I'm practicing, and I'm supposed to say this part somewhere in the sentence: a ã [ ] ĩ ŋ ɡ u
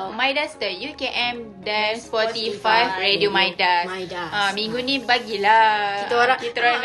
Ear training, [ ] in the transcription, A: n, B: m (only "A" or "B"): B